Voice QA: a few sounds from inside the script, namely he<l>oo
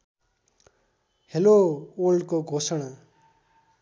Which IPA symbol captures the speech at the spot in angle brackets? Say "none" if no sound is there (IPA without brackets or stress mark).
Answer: l